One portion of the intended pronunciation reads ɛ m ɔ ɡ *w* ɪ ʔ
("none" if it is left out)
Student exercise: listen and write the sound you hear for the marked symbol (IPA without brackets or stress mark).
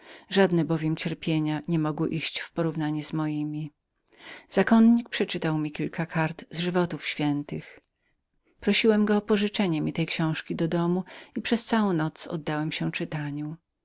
w